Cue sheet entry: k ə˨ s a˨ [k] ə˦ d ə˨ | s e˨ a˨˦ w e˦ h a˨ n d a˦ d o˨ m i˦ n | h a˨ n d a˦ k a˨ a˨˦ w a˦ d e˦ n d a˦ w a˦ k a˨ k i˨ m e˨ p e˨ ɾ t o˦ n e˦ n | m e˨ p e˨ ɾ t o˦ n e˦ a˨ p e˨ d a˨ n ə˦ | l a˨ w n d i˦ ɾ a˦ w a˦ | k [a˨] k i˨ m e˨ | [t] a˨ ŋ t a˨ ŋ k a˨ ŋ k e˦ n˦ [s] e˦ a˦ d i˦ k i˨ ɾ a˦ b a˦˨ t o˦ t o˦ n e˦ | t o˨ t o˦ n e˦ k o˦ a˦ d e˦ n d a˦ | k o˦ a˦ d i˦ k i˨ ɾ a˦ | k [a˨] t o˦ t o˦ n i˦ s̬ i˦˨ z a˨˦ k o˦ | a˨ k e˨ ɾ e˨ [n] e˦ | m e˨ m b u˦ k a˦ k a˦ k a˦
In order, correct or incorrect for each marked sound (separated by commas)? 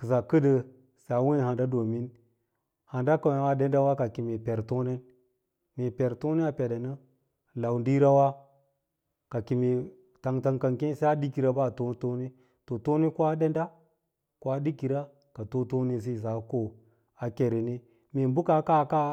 correct, correct, correct, correct, correct, correct